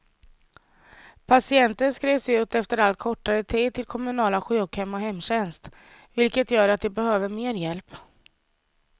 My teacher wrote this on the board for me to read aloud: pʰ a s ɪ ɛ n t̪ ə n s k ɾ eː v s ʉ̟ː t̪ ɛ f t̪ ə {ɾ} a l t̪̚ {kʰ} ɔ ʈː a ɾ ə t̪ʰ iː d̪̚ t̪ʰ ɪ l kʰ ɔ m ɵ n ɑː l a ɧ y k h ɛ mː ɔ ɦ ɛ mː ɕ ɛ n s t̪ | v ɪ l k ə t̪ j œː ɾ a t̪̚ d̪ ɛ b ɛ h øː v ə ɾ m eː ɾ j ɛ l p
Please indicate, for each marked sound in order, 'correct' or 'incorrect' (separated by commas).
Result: correct, correct